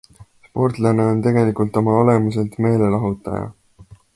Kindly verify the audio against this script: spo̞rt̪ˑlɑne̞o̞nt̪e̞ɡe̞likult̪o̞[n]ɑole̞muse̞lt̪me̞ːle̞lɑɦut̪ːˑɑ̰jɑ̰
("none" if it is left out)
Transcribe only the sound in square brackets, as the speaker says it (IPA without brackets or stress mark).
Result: m